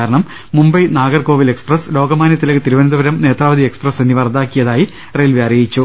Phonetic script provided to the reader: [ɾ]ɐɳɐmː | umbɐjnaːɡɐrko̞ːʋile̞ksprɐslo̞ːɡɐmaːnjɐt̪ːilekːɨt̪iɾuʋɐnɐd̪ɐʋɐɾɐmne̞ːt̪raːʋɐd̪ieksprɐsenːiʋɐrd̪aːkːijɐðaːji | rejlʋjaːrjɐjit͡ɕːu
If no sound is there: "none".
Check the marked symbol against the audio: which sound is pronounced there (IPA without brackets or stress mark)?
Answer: ɾ